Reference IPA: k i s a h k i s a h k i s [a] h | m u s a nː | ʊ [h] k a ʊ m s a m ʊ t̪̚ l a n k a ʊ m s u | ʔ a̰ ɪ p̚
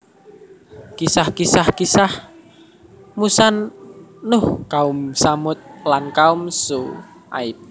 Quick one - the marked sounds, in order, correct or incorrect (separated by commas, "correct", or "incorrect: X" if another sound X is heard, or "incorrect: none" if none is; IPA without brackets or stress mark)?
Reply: correct, correct